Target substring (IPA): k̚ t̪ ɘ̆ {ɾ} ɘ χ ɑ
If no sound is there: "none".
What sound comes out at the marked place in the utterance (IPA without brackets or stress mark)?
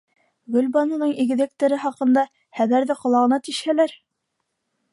ɾ